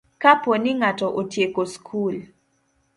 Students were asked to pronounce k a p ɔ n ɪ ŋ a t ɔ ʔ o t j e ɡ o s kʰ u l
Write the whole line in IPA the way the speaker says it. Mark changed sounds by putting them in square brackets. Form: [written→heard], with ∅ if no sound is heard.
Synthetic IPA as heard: k a p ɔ n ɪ ŋ a t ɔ ʔ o t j e [ɡ→k] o s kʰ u l